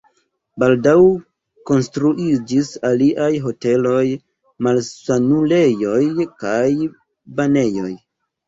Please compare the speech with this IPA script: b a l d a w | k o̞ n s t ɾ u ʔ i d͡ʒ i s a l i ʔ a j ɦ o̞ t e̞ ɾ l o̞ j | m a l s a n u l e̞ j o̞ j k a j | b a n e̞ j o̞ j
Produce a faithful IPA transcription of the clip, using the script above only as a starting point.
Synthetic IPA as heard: b a l d a w | k o̞ n s t ɾ u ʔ i d͡ʒ i s a l i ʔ a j ɦ o̞ t e̞ l o̞ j | m a l s a n u l e̞ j o̞ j k a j | b a n e̞ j o̞ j